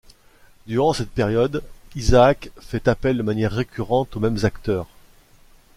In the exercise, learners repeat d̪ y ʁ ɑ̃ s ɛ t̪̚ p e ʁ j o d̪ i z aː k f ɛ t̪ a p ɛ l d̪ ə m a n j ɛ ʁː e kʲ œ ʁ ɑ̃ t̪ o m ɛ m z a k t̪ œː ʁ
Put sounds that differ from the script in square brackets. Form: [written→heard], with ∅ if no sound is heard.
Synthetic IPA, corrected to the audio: d̪ y ʁ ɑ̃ s ɛ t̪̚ p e ʁ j [o→ɔ] d̪ i z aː k f ɛ t̪ a p ɛ l d̪ ə m a n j ɛ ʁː e kʲ [œ→y] ʁ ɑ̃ t̪ o m ɛ m z a k t̪ œː ʁ